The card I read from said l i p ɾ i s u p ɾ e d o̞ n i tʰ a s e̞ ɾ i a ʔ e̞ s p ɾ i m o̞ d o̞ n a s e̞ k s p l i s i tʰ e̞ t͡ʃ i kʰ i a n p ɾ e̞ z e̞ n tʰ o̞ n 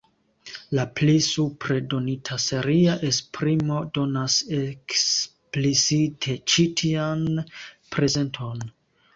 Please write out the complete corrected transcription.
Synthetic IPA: l a p l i s u p ɾ e d o̞ n i tʰ a s e̞ ɾ i a ʔ e̞ s p ɾ i m o̞ d o̞ n a s e̞ k s p l i s i tʰ e̞ t͡ʃ i tʰ i a n p ɾ e̞ z e̞ n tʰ o̞ n